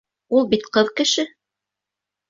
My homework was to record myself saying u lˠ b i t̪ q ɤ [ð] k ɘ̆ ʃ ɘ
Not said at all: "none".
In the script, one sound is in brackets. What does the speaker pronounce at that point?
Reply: ð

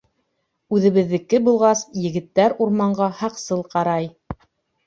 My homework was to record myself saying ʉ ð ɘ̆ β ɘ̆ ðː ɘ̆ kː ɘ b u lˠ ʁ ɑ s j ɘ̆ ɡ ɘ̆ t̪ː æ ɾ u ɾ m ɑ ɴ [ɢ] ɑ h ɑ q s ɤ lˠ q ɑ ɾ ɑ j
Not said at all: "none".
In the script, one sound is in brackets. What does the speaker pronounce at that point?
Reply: ɢ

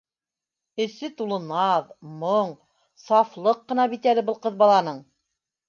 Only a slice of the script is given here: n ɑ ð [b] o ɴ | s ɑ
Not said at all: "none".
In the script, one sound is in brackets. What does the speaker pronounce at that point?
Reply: m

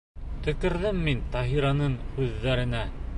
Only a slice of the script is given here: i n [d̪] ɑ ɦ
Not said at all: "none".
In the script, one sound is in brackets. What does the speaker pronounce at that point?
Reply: t̪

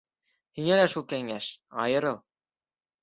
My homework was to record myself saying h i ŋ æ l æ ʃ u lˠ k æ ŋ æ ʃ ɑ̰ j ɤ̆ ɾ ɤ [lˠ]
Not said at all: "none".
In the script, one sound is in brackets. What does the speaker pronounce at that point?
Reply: lˠ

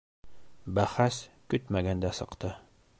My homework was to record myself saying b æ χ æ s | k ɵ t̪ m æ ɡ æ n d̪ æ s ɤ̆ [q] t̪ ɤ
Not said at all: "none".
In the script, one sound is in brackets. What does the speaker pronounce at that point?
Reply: q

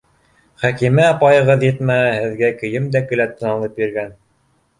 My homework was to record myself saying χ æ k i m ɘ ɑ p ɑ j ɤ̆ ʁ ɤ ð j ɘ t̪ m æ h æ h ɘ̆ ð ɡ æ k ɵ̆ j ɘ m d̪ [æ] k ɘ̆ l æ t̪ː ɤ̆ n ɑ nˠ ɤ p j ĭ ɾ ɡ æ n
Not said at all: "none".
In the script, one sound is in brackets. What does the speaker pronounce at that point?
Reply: æ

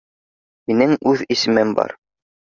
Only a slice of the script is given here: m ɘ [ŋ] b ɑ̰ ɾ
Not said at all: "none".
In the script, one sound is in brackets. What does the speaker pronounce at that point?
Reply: m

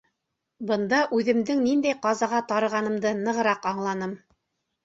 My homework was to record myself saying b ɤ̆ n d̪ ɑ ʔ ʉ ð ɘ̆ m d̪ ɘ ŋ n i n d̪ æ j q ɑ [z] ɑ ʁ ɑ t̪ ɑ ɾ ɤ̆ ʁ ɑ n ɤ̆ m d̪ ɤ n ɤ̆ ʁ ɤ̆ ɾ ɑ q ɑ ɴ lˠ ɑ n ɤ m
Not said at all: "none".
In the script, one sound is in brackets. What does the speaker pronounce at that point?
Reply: z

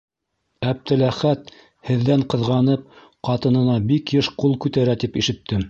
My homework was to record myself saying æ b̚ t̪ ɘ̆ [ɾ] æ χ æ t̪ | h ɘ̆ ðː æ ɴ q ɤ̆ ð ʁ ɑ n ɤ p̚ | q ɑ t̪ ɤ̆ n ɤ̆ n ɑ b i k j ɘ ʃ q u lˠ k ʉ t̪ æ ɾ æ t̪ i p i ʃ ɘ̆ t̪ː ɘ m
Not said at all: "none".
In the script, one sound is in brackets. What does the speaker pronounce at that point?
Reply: l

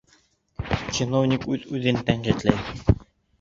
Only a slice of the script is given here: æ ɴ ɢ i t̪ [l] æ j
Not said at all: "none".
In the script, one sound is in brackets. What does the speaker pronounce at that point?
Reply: l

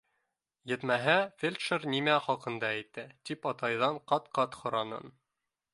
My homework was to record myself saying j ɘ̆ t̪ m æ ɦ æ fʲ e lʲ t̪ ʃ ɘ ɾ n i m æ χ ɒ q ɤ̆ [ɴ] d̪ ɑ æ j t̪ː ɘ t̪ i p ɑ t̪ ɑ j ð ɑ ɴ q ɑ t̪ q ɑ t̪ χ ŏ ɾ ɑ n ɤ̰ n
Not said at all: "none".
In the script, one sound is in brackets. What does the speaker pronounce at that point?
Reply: n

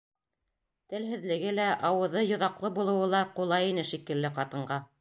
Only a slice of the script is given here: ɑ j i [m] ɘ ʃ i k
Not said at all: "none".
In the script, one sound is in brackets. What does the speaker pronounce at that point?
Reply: n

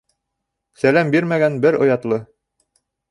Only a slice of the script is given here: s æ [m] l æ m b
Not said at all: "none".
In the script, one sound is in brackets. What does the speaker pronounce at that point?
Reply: none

